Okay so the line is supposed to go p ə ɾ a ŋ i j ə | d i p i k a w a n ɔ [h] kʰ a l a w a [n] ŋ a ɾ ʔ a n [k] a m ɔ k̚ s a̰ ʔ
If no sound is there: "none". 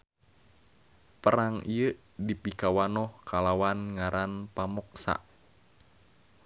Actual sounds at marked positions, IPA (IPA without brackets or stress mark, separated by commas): h, n, p